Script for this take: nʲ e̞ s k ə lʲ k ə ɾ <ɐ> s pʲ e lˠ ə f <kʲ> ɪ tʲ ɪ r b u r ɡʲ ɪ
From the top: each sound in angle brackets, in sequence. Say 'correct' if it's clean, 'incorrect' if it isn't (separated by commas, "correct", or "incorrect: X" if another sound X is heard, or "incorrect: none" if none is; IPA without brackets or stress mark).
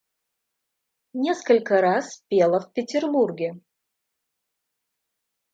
incorrect: a, incorrect: pʲ